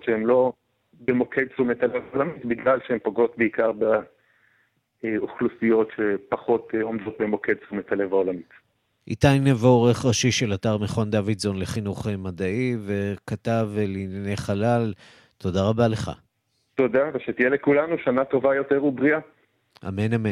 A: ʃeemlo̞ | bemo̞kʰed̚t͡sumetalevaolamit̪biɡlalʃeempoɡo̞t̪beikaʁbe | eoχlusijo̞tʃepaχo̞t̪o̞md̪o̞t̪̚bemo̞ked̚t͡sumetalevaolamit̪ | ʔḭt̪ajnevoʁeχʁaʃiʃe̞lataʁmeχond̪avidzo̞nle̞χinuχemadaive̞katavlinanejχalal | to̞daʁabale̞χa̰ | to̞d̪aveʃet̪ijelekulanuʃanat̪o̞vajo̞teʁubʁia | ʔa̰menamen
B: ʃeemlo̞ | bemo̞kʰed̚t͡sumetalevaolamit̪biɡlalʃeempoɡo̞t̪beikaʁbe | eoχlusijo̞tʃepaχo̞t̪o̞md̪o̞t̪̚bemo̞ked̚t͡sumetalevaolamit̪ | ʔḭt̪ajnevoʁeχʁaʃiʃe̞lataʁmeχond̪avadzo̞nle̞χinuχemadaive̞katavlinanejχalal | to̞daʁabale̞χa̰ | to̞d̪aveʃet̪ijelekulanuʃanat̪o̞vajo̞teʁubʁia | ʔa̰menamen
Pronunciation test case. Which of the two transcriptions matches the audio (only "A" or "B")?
A